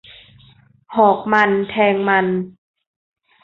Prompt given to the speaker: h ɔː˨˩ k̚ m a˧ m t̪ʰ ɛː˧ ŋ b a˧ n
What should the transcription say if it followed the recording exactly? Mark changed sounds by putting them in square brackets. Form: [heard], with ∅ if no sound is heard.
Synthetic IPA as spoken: h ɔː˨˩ k̚ m a˧ [n] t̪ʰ ɛː˧ ŋ [m] a˧ n